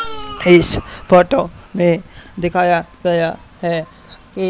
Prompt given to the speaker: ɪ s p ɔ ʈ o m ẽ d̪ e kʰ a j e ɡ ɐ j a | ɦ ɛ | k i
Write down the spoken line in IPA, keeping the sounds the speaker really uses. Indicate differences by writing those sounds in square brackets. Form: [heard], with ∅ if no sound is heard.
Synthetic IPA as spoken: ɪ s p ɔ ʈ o m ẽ d̪ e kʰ a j [a] ɡ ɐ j a | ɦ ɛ | k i